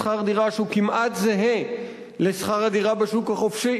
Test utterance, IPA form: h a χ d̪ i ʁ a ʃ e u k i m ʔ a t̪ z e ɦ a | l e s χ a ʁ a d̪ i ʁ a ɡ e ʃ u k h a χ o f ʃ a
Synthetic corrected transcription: χ a ʁ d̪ i ʁ a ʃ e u k i m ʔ a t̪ z e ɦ e | l e s χ a ʁ a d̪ i ʁ a b e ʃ u k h a χ o f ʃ i